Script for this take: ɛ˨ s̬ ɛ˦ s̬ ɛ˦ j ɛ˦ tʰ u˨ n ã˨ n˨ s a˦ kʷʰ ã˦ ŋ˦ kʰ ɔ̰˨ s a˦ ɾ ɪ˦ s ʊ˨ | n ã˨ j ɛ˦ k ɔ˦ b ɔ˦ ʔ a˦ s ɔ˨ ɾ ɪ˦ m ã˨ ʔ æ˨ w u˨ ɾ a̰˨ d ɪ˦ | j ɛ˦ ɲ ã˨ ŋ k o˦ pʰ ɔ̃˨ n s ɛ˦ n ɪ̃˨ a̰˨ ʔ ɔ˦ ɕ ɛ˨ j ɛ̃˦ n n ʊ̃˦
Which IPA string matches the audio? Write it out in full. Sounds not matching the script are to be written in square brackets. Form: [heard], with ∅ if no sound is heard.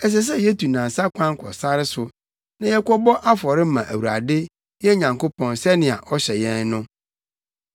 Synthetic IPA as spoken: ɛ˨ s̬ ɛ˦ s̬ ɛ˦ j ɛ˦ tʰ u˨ n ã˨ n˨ s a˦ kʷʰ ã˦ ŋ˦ kʰ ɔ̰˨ s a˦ ɾ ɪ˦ s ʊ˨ | n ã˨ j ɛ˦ k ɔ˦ b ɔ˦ ʔ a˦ [f] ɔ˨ ɾ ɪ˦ m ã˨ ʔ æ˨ w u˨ ɾ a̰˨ d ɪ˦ | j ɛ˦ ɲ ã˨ ŋ k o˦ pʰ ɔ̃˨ n s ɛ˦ n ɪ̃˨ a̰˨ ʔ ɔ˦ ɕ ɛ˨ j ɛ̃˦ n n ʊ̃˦

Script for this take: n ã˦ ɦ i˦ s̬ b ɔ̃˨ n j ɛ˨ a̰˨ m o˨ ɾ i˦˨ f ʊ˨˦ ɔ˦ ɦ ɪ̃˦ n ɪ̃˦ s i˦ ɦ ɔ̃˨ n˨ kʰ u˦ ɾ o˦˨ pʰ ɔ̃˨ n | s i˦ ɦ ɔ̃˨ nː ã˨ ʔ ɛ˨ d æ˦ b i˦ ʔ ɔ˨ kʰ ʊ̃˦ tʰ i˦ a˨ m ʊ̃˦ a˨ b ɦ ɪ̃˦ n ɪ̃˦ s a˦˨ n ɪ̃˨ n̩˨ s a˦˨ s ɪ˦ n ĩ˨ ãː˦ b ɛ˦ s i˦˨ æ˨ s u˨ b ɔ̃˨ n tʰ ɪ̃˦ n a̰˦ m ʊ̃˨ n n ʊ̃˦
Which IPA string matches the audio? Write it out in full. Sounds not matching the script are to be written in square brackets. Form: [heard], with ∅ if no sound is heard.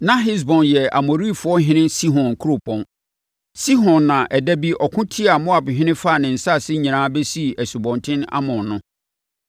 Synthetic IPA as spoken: n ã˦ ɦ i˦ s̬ b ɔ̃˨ n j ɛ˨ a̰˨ m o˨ ɾ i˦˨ f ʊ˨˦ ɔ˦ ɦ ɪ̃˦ n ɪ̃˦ s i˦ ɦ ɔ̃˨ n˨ kʰ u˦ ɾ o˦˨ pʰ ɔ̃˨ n | s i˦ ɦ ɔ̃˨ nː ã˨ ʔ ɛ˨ d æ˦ b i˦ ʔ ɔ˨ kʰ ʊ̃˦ tʰ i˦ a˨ m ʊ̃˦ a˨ b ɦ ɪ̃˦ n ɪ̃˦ [f] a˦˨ n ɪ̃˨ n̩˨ s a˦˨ s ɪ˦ [ɲ] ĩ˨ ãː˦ b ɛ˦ s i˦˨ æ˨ s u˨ b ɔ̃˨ n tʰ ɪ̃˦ n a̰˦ m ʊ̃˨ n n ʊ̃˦

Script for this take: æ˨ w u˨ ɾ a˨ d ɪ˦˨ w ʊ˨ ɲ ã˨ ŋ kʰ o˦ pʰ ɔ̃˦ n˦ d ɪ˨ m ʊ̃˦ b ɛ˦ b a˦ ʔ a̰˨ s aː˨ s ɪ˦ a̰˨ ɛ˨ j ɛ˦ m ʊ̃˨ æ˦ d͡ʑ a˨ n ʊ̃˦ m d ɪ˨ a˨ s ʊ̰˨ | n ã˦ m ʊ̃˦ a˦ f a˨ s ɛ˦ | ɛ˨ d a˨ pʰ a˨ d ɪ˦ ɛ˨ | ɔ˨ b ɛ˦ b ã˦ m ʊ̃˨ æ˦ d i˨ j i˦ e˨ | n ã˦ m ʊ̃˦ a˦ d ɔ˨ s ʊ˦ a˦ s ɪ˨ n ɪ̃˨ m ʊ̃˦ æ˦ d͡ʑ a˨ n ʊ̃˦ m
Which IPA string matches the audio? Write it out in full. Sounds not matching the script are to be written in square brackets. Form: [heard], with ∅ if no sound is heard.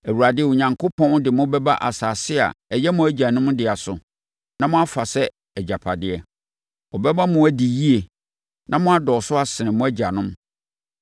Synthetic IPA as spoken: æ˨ w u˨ ɾ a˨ d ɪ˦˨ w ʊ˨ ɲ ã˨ ŋ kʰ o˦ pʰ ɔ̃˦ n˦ d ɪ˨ m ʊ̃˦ b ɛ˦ b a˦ ʔ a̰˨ s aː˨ s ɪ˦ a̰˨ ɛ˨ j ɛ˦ m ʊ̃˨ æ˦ d͡ʑ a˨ n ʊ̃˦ m d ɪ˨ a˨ s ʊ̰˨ | n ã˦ m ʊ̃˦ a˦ f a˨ s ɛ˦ | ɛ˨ [d͡ʑ] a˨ pʰ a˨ d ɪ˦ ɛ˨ | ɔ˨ b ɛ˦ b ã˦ m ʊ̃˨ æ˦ d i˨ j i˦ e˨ | n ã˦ m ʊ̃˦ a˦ d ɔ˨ s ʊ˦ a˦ s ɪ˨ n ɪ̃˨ m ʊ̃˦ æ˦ d͡ʑ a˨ n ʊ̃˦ m

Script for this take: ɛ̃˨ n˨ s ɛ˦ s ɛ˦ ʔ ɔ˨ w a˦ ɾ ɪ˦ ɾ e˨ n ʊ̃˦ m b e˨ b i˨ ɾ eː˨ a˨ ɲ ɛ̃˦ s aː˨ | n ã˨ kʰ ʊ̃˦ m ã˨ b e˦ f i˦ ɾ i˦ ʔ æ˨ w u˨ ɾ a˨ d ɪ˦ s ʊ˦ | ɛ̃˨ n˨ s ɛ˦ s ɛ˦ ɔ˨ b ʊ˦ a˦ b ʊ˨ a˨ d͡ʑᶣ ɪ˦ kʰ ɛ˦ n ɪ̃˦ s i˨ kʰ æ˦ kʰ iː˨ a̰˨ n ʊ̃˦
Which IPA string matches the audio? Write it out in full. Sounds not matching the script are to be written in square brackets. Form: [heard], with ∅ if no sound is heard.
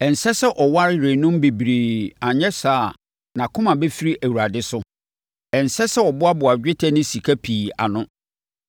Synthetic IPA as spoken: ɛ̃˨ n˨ s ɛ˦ s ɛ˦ ʔ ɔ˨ w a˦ ɾ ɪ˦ ɾ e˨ n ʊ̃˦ m b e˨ b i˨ ɾ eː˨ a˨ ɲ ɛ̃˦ s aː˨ | n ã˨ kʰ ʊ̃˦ m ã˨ b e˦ f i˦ ɾ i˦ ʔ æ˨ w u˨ ɾ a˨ d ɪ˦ s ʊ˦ | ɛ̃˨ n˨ s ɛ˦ s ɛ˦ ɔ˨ b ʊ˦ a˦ b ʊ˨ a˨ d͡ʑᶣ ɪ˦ [tʰ] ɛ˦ n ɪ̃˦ s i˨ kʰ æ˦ [pʰ] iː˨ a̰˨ n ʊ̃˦

